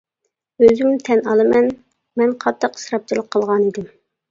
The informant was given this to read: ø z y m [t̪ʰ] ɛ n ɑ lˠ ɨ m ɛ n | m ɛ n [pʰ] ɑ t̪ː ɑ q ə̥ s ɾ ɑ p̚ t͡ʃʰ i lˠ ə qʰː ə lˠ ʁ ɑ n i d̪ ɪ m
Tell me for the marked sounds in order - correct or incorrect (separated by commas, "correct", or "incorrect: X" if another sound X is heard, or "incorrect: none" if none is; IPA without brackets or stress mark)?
correct, incorrect: qʰ